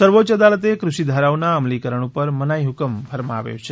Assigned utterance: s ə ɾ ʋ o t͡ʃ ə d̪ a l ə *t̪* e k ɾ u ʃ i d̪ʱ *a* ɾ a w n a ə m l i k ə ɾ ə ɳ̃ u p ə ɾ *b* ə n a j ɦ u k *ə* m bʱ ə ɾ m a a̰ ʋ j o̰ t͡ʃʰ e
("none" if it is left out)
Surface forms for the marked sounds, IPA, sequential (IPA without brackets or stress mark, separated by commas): t̪, a, m, ə